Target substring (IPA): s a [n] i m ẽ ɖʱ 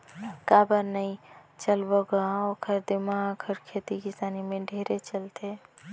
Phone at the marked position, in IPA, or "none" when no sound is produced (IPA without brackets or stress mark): n